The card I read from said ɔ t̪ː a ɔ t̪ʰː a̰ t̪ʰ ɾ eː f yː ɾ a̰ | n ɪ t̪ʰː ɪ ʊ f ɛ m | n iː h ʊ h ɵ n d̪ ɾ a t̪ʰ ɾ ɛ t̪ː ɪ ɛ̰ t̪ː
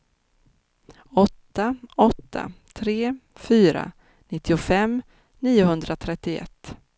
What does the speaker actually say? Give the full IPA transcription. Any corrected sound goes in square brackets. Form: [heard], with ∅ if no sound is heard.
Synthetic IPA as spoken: ɔ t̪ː a ɔ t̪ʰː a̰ t̪ʰ ɾ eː f yː ɾ a̰ | n ɪ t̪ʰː ɪ ʊ f ɛ m | n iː [∅] ʊ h ɵ n d̪ ɾ a t̪ʰ ɾ ɛ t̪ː ɪ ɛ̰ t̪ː